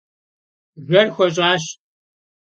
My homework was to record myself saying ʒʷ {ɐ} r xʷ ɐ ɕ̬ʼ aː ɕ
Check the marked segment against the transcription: correct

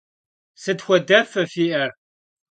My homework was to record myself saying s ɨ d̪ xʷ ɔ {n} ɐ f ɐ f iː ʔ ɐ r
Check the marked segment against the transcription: incorrect: d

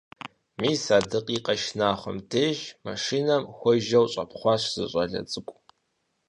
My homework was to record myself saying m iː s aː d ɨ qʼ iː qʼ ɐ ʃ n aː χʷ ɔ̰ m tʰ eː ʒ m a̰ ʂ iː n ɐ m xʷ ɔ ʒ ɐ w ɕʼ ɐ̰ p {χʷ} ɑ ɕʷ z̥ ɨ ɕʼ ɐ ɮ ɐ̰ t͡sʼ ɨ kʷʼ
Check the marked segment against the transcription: correct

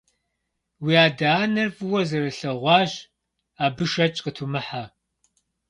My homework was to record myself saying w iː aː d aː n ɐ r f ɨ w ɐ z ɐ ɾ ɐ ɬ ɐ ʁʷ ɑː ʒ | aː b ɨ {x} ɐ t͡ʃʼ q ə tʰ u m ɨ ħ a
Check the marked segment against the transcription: incorrect: ʃ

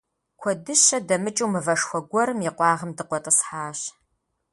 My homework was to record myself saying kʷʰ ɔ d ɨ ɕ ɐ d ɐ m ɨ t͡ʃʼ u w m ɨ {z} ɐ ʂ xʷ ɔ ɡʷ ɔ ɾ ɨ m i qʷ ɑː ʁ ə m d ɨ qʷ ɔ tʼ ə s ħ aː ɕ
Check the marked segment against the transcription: incorrect: v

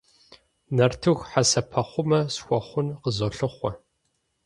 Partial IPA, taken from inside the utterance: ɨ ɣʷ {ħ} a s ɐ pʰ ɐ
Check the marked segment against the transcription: correct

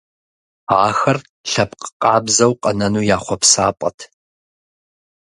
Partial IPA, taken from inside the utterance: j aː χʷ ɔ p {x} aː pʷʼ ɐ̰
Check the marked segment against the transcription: incorrect: s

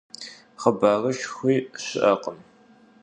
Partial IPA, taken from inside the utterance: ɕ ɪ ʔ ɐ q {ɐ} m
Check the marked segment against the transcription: incorrect: ə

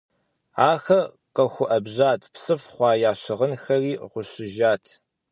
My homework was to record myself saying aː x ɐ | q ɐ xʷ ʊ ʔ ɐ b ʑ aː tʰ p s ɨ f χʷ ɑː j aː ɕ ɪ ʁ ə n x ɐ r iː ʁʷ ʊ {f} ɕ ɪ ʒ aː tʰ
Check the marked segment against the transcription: incorrect: none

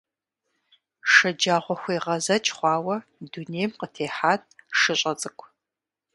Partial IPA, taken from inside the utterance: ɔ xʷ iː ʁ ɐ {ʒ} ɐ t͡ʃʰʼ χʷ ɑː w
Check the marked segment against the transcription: incorrect: z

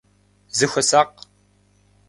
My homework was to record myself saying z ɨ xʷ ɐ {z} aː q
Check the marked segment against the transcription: incorrect: s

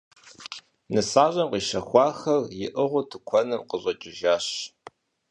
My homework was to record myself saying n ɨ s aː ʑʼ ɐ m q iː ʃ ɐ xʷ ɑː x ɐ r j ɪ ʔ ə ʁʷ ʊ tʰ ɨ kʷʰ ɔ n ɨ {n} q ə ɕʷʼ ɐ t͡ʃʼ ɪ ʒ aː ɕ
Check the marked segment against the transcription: incorrect: m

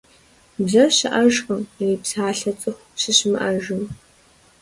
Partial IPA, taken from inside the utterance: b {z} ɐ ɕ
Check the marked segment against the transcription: correct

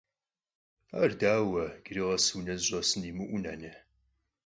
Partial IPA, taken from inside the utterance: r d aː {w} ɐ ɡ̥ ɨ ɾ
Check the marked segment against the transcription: correct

